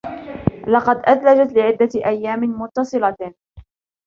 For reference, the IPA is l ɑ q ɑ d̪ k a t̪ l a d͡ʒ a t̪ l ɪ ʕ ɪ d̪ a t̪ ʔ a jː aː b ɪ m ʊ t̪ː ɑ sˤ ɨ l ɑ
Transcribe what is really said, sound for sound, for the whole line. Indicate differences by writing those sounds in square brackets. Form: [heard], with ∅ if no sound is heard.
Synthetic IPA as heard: l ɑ q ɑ d̪ [ʔ] a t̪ l a d͡ʒ a t̪ l ɪ ʕ ɪ [d̪ː] a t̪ ʔ a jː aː [m] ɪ m ʊ t̪ː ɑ sˤ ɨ l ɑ

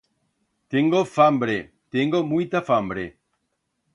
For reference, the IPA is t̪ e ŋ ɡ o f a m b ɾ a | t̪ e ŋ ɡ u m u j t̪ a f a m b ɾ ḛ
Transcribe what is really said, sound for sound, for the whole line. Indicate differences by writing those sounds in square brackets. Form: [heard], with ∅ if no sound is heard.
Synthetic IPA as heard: t̪ e ŋ ɡ o f a m b ɾ [e] | t̪ e ŋ ɡ [o] m u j t̪ a f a m b ɾ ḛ

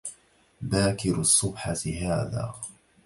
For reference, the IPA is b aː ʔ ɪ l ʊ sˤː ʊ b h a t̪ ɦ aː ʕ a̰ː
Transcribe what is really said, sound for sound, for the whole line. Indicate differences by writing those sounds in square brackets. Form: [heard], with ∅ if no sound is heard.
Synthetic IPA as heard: b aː [k] ɪ [ɾ] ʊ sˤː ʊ b [ħ] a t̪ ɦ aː [ð] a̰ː

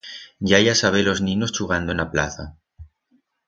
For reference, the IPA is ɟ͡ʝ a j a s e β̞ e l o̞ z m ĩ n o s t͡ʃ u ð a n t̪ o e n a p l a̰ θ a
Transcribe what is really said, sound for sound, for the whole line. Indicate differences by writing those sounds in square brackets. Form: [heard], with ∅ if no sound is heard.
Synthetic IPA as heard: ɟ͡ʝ a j a s [a] β̞ e l o̞ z [n] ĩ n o s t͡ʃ u [ɣ] a n [d̪] o e n a p l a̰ θ a

